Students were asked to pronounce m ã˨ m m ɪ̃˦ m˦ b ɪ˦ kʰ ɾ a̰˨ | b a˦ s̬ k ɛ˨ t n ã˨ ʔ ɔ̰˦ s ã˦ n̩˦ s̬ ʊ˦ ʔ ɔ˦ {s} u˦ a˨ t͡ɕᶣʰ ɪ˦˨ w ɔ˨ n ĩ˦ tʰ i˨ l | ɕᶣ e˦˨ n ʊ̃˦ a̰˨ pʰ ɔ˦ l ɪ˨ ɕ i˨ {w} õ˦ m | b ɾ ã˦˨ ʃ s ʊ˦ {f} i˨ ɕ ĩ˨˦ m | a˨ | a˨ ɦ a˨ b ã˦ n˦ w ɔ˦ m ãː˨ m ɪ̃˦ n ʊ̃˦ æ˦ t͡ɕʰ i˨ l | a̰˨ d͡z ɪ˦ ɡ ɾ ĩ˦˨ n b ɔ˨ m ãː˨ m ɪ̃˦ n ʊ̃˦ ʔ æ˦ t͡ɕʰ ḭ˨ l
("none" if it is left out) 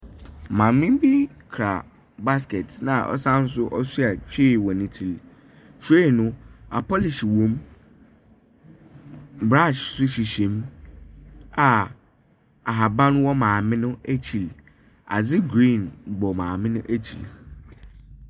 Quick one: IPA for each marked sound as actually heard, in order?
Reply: s, w, ɕ

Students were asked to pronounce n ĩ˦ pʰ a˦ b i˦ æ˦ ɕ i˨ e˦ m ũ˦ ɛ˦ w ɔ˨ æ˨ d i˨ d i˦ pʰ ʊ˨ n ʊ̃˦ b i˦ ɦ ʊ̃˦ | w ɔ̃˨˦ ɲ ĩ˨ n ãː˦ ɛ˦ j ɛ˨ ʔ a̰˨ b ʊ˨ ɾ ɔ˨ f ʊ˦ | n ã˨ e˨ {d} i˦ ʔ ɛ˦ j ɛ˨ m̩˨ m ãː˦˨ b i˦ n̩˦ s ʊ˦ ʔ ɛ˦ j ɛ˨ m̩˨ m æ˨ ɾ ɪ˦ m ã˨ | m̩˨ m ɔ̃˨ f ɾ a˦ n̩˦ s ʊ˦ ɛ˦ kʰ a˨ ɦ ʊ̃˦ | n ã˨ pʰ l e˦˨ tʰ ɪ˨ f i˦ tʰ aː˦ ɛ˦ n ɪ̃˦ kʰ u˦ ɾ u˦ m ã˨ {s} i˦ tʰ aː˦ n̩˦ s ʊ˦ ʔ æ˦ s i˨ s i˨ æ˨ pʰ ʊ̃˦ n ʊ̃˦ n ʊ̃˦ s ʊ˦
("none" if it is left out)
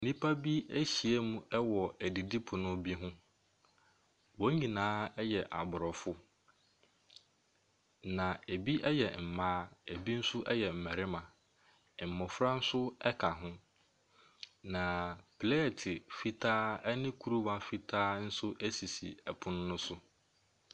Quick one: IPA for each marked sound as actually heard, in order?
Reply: b, f

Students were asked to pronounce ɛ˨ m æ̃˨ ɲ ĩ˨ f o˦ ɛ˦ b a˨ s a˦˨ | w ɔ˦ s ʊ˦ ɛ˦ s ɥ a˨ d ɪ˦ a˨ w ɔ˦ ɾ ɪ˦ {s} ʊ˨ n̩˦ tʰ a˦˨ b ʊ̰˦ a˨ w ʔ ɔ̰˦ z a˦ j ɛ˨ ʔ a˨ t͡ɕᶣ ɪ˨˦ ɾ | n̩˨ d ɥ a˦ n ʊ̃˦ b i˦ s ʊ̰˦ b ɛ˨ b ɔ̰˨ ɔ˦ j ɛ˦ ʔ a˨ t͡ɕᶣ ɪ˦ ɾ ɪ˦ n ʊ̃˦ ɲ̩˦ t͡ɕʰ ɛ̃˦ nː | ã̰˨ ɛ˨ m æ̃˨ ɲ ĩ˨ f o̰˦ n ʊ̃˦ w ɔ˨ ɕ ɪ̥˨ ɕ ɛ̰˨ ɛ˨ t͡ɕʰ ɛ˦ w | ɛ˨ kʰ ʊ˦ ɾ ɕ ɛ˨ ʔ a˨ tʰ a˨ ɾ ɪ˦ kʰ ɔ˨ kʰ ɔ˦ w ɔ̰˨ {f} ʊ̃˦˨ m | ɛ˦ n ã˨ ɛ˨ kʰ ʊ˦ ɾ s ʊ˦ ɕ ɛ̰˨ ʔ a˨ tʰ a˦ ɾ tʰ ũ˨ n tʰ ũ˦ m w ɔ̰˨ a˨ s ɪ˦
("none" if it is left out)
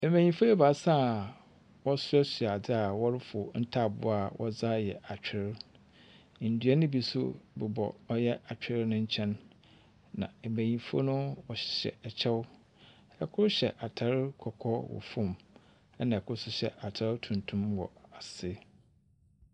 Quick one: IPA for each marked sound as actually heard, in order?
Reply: f, f

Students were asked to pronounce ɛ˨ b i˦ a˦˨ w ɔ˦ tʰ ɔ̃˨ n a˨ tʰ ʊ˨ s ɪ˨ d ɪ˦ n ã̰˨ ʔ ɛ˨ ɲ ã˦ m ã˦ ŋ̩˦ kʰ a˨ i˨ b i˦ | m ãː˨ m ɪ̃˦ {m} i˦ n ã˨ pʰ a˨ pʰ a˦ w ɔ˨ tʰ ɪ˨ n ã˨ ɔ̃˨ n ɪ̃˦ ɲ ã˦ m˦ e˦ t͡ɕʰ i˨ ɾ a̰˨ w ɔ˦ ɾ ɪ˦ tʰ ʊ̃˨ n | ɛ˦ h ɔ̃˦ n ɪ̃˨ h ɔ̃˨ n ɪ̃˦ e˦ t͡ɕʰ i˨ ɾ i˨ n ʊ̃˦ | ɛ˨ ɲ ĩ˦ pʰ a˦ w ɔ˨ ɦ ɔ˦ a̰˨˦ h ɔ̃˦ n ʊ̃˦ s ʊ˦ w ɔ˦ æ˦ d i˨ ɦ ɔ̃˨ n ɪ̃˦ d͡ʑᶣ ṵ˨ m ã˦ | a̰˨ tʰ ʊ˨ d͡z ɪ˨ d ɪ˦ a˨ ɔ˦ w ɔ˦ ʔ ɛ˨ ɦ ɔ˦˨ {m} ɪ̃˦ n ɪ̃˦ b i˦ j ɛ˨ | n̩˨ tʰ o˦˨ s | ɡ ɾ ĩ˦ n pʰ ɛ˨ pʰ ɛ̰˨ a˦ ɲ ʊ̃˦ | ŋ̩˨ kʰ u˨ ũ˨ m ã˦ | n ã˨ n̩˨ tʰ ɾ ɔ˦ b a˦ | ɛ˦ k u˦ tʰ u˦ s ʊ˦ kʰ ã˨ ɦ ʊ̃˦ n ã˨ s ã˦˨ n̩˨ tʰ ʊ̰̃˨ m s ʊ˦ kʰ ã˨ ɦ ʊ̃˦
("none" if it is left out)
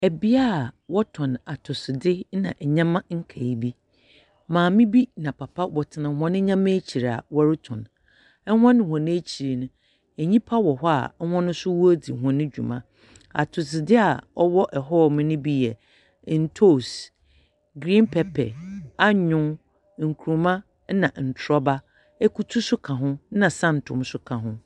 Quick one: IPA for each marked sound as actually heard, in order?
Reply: b, m

